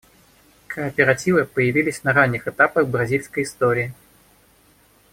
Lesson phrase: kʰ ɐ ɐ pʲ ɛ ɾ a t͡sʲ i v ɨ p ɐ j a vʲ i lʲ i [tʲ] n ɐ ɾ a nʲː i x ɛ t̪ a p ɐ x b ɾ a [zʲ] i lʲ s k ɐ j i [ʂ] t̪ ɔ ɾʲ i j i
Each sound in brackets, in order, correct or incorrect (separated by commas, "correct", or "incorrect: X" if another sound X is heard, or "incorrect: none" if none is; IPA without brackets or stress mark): incorrect: sʲ, correct, incorrect: s